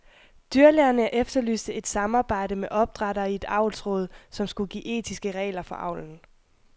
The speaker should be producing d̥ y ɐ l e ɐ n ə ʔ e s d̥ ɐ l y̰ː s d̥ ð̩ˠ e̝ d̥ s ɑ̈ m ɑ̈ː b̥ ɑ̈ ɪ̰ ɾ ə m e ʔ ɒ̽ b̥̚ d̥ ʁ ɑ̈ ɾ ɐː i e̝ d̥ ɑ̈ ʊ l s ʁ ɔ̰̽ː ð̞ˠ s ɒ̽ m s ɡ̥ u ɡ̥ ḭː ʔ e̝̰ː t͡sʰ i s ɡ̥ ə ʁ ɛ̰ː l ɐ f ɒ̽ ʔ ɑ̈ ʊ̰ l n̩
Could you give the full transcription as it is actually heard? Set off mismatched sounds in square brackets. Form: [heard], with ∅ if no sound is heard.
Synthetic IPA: d̥ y ɐ l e ɐ n ə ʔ e [f] d̥ ɐ l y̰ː s d̥ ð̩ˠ e̝ d̥ s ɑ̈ m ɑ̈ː b̥ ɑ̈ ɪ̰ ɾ ə m e ʔ ɒ̽ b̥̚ d̥ ʁ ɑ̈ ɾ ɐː i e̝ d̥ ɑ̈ ʊ l s ʁ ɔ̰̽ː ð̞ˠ s ɒ̽ m s ɡ̥ u ɡ̥ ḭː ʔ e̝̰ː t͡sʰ i s ɡ̥ ə ʁ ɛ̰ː l ɐ f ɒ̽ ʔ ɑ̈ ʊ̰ l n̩